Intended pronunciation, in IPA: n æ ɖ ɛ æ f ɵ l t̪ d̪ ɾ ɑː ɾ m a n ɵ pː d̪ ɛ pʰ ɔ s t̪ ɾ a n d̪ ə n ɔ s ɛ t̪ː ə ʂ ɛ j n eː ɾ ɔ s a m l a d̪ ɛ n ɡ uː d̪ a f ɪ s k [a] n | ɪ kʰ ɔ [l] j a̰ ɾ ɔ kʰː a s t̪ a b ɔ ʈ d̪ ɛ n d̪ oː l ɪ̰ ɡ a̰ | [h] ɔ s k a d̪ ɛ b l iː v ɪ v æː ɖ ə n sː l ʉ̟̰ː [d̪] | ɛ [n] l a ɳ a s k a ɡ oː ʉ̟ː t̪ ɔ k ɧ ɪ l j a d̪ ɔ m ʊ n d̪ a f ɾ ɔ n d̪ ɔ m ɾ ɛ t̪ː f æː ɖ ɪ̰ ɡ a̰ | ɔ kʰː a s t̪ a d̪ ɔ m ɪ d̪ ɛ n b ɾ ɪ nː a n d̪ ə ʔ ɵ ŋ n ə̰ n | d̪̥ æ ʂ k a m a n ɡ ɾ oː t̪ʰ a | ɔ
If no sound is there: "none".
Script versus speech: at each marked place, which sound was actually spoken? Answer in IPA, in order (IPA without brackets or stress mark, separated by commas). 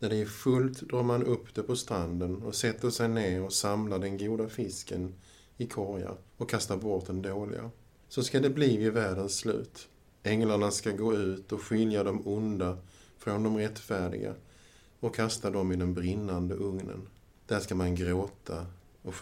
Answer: ə, ɾ, s, t̪, ŋ